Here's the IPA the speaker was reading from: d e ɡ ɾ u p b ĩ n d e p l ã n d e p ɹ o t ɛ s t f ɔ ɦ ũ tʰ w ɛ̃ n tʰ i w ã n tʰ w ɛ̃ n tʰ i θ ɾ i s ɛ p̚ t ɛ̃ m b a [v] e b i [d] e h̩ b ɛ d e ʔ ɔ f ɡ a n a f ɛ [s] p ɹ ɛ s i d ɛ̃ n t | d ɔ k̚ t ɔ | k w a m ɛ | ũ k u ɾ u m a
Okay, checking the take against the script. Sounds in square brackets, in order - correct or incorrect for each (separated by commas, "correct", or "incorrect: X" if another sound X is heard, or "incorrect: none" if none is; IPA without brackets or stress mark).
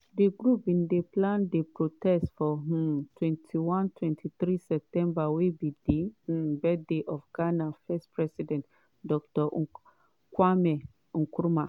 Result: incorrect: w, correct, correct